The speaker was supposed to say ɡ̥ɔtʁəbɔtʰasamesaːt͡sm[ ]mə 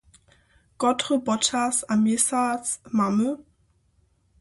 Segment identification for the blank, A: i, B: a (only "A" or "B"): B